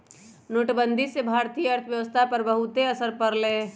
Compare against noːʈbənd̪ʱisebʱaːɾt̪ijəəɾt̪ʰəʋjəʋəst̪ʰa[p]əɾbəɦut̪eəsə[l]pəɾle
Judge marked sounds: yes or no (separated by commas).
yes, no